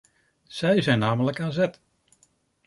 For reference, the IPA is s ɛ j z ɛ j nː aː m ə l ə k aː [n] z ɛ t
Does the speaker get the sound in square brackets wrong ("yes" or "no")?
no